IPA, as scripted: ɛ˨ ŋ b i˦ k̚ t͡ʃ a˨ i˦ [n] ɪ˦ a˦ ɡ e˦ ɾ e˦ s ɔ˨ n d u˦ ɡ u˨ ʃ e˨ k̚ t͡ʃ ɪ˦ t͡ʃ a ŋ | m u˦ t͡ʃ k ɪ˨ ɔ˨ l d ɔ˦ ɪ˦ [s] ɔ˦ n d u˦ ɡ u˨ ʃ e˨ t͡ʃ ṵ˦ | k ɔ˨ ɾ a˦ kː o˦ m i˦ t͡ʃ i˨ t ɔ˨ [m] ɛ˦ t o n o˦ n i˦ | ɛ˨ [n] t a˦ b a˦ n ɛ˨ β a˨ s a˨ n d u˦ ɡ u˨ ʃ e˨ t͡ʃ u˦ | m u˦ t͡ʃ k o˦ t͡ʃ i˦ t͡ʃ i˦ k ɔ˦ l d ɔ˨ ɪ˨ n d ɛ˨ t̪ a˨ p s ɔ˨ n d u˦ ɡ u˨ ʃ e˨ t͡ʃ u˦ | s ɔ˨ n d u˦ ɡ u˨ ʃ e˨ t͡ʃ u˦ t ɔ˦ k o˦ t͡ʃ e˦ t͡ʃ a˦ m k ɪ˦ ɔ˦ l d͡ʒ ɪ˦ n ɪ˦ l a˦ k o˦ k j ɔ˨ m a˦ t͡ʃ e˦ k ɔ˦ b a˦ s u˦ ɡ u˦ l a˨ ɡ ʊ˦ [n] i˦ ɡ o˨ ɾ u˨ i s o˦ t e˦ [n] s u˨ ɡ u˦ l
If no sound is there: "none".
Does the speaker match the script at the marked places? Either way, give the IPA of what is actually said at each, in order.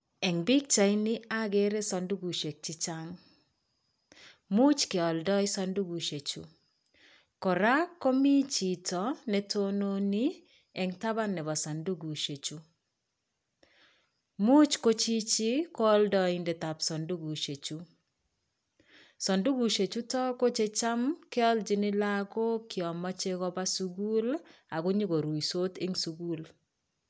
n, s, n, ŋ, ɲ, ŋ

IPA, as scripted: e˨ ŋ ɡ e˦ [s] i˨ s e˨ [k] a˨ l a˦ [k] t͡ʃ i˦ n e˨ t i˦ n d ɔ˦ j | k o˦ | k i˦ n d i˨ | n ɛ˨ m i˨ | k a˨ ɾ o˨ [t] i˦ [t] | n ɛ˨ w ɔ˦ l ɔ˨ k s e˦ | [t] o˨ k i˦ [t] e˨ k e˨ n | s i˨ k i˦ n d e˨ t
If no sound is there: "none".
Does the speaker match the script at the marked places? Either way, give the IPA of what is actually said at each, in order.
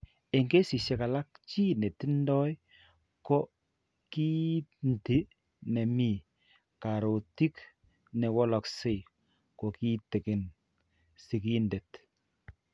s, k, k, t, k, k, t

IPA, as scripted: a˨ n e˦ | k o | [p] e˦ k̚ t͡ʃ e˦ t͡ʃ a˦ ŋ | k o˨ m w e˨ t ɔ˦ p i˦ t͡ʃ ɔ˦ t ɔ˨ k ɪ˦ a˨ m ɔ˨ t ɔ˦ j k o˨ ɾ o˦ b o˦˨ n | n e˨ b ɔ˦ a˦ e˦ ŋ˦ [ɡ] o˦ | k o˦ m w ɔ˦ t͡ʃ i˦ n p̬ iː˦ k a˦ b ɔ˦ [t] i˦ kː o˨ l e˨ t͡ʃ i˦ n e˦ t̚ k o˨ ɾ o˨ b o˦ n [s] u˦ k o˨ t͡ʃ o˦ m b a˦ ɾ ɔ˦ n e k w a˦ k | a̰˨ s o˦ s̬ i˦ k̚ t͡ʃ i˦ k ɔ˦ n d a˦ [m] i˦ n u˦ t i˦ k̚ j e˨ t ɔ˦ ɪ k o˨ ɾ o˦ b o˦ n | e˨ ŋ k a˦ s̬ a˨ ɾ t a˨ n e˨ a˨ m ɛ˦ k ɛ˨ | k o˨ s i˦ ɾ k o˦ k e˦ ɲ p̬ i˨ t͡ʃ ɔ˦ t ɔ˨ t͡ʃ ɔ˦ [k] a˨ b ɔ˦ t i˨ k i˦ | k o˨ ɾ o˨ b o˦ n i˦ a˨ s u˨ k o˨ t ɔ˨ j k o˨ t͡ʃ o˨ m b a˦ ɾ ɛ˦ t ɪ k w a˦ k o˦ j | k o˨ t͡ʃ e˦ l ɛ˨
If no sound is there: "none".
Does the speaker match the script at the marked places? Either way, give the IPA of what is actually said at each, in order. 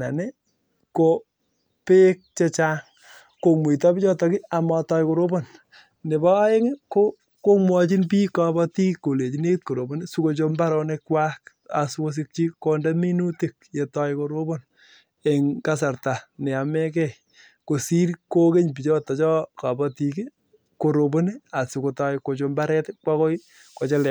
p, k, t, s, m, k

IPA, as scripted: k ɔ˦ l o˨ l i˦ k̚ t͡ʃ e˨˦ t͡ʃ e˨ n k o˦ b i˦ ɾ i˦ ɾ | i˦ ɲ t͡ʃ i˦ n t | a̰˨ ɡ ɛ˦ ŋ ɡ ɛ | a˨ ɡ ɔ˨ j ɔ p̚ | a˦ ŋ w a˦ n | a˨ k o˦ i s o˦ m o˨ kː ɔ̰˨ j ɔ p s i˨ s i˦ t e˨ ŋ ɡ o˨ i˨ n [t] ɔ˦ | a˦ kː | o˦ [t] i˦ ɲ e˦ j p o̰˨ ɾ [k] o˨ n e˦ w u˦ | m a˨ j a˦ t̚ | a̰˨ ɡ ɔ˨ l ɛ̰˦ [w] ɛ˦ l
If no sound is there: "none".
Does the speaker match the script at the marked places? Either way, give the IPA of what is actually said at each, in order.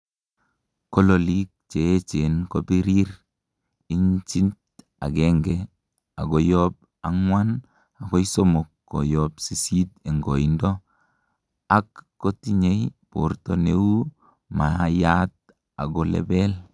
d, t, t, b

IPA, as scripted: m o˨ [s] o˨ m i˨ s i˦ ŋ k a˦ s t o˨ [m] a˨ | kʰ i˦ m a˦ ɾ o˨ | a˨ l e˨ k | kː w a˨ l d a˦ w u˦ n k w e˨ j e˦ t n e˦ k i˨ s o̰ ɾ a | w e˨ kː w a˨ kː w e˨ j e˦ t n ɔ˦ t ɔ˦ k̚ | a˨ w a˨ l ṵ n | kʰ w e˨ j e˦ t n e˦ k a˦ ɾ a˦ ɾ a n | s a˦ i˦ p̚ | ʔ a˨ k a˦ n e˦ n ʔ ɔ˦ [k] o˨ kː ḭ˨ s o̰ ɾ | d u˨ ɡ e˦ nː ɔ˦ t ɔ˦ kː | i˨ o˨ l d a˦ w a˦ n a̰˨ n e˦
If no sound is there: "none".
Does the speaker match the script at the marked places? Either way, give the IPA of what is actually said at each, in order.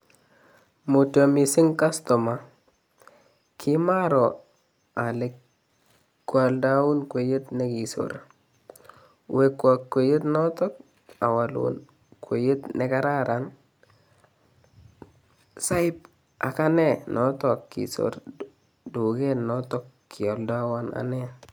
t, m, t

